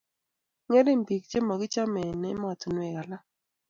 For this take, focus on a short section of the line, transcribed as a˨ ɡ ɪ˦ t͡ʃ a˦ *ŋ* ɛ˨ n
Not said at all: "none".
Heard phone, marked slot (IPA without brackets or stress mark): m